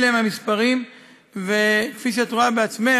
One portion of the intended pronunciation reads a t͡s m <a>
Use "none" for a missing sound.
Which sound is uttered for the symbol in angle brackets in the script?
e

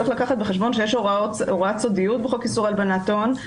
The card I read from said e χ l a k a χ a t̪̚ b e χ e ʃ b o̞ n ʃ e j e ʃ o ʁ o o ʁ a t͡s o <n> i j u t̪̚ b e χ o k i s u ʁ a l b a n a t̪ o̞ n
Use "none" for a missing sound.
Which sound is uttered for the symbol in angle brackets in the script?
d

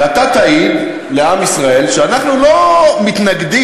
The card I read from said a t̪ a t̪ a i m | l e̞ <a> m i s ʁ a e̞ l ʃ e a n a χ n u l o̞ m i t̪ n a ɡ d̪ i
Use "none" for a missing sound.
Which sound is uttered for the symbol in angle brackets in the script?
a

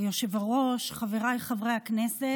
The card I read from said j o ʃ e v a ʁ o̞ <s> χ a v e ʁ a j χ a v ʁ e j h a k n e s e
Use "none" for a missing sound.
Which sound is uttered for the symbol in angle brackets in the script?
ʃ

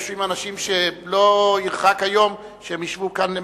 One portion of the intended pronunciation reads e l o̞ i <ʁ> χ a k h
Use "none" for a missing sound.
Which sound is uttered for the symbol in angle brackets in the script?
ʁ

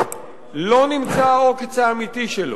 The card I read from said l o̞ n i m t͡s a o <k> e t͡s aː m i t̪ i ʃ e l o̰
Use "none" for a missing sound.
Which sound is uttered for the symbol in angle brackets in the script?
k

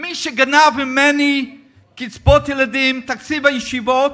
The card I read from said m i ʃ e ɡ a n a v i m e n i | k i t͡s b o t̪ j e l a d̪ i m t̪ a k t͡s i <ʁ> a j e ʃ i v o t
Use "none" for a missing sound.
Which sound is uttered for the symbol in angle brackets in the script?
v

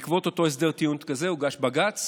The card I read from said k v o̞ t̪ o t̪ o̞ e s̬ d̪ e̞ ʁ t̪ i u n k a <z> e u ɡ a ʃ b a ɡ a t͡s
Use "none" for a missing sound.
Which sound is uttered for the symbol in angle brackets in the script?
z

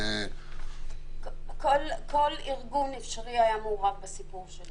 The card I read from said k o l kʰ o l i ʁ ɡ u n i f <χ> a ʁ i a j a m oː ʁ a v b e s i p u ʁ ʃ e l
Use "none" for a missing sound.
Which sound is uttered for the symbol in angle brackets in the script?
ʃ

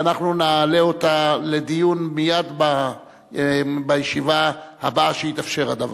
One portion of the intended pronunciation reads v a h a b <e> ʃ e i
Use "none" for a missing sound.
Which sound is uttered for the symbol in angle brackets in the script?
a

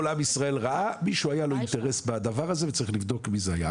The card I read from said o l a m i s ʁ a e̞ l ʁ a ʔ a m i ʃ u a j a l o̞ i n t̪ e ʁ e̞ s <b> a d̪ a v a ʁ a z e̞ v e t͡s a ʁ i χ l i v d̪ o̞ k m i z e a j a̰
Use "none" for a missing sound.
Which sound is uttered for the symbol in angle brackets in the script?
b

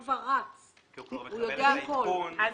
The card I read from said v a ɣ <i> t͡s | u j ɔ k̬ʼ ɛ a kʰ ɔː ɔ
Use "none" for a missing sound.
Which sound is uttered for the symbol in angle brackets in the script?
a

